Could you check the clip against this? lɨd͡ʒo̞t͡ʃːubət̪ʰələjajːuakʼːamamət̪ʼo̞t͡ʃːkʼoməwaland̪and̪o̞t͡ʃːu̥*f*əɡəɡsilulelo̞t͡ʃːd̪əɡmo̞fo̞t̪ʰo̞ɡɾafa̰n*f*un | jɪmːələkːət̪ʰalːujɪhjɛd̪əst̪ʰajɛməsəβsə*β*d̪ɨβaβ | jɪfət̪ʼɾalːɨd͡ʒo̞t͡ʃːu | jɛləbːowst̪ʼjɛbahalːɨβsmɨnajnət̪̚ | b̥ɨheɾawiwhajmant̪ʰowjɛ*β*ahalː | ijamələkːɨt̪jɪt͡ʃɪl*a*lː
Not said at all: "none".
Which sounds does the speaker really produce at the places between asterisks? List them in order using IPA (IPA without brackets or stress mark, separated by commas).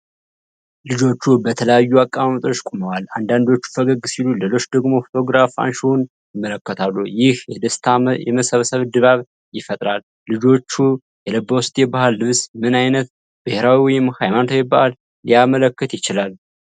f, ʃ, β, b, a